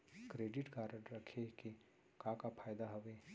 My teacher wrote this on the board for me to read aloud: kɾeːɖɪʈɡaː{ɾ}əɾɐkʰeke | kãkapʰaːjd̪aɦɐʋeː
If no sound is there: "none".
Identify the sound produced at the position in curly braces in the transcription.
ɾ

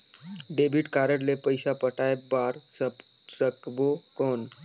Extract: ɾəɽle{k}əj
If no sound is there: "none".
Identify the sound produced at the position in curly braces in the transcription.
p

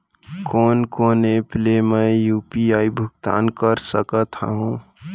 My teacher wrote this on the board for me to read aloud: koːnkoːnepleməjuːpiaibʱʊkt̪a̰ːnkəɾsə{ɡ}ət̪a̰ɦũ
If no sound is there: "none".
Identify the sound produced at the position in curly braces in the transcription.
k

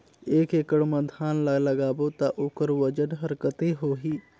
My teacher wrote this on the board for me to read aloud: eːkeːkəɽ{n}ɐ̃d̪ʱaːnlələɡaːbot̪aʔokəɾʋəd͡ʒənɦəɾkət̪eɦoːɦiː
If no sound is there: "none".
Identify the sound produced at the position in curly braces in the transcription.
m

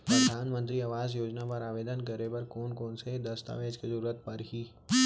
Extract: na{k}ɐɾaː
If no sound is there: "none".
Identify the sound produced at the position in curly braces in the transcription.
p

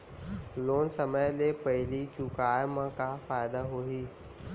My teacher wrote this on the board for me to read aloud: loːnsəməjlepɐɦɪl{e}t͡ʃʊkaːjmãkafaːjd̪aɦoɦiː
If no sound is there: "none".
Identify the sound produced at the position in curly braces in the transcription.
i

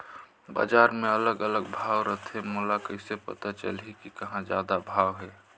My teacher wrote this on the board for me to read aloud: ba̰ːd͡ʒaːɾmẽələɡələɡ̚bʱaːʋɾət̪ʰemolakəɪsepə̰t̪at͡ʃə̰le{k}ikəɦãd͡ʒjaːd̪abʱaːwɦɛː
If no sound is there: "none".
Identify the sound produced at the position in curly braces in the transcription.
k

